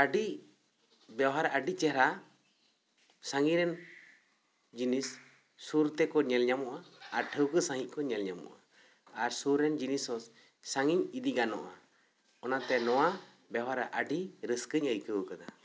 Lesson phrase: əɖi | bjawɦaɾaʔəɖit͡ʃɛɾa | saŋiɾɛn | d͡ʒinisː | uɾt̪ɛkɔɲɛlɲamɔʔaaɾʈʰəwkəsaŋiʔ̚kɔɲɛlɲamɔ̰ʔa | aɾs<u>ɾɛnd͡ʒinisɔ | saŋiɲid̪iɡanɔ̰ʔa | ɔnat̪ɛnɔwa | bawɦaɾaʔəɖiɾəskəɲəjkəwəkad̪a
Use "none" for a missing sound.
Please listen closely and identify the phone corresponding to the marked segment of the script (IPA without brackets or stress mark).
u